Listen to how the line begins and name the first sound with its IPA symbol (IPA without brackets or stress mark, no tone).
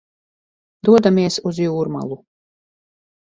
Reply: d̪